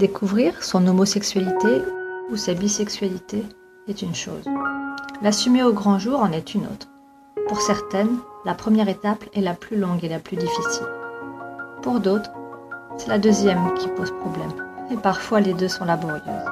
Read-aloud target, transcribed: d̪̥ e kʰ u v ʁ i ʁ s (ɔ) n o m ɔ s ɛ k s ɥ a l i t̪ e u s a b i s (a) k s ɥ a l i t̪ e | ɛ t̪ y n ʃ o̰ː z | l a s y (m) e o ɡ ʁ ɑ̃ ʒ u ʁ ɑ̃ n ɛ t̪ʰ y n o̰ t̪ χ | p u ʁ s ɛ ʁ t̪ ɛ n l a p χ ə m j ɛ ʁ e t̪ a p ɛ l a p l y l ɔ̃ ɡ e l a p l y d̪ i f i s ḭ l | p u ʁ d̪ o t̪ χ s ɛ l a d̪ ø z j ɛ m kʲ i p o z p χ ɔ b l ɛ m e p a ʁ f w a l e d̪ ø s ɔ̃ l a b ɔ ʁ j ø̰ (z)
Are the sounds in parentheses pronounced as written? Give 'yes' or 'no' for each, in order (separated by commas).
no, no, yes, yes